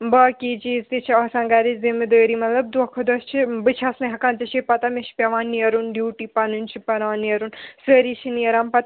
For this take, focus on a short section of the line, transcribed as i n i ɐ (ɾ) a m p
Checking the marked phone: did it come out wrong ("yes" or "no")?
no